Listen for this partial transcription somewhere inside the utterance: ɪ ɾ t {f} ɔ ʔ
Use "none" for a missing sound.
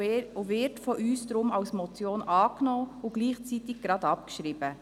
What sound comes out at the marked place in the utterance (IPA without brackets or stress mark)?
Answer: f